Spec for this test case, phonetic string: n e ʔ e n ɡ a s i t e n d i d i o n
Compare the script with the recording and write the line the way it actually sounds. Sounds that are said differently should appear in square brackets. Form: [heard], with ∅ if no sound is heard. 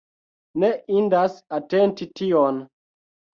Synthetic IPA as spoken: n e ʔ [i] n [d] a s [a] t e n [t] i [t] i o n